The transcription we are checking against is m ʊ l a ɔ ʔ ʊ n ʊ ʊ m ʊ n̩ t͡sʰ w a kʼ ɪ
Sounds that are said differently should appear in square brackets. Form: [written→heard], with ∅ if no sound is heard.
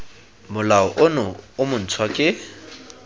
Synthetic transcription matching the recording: m ʊ l a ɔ ʔ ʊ n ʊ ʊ m ʊ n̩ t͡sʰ w a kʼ ɪ